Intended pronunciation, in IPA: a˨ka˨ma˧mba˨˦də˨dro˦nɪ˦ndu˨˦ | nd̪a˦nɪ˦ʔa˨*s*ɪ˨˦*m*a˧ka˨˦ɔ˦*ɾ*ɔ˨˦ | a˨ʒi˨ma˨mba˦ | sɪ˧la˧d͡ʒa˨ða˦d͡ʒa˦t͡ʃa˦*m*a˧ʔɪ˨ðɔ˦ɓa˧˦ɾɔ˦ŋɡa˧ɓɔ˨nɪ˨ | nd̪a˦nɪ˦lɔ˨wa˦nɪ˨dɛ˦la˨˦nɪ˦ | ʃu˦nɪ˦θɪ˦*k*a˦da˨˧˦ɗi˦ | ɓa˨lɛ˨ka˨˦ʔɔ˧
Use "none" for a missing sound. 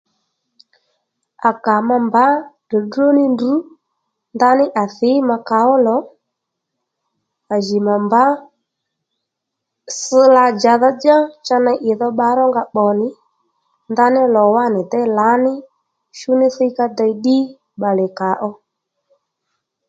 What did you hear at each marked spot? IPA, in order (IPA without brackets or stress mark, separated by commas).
θ, m, l, n, k